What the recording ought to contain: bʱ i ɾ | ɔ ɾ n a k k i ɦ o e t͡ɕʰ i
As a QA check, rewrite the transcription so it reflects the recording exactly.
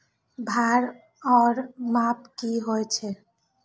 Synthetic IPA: bʱ a ɾ | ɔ ɾ m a p k i ɦ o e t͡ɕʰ e

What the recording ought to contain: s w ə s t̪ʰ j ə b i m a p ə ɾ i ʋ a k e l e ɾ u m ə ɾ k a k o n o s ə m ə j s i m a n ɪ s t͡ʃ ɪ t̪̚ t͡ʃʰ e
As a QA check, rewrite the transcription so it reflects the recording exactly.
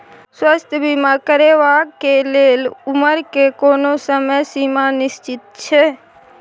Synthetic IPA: s w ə s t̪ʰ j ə b i m a k ə ɾ e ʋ a k e l e l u m ə ɾ k e k o n o s ə m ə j s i m a n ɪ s t͡ʃ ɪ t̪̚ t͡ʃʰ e

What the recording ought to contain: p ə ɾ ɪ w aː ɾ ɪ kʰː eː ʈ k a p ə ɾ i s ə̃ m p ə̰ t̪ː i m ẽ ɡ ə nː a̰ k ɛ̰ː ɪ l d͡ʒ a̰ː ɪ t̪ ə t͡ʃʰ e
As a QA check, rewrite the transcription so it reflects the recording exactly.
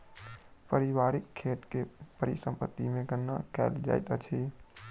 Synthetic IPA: p ə ɾ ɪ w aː ɾ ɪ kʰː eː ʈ k e p ə ɾ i s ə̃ m p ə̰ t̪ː i m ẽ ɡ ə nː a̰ k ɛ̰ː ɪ l d͡ʒ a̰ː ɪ t̪ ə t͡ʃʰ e

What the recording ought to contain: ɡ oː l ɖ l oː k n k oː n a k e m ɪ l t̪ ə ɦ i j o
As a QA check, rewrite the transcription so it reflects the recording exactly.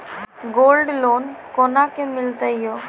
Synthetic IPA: ɡ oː l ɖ l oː n k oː n a k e m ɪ l t̪ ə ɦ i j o

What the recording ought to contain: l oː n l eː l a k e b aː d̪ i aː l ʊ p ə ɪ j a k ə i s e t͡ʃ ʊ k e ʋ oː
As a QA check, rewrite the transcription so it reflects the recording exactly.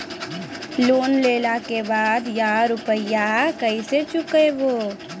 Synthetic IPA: l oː n l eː l a k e b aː d̪ j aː ɾ ʊ p ə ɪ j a k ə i s e t͡ʃ ʊ k e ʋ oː

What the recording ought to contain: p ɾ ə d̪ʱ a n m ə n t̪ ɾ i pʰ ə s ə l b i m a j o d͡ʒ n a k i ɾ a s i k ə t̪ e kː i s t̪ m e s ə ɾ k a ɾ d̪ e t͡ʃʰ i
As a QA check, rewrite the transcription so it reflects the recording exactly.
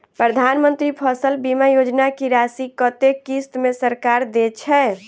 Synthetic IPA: p ɾ ə d̪ʱ a n m ə n t̪ ɾ i pʰ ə s ə l b i m a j o d͡ʒ n a k i ɾ a s i k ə t̪ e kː i s t̪ m e s ə ɾ k a ɾ d̪ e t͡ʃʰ ɛ

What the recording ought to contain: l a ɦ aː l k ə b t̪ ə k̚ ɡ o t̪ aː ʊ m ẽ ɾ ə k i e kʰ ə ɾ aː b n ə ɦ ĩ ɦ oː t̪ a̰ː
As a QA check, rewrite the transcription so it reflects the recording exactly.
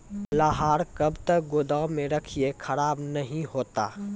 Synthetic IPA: l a ɦ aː ɾ k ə b t̪ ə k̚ ɡ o d̪ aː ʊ m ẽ ɾ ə kʰ i e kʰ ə ɾ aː b n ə ɦ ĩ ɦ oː t̪ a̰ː

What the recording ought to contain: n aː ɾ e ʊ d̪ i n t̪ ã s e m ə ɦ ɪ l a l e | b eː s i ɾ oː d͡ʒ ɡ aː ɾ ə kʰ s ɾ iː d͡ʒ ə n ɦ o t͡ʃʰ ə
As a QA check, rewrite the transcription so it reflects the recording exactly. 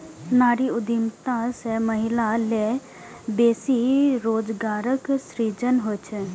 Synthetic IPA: n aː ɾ i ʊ d̪ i m t̪ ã s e m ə ɦ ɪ l a l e | b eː s i ɾ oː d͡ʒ ɡ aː ɾ ə k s ɾ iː d͡ʒ ə n ɦ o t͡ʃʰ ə

